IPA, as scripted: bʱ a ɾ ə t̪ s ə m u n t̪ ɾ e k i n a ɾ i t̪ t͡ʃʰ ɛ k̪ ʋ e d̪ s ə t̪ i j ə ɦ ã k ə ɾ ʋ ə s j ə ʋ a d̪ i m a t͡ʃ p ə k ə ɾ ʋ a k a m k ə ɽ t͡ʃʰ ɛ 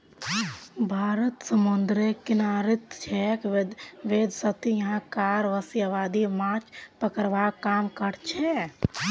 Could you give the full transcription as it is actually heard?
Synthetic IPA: bʱ a ɾ ə t̪ s ə m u n d̪ ɾ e k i n a ɾ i t̪ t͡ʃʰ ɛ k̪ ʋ e d̪ s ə t̪ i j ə ɦ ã k a ɾ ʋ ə s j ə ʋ a d̪ i m a t͡ʃ p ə k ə ɾ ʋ a k a m k ə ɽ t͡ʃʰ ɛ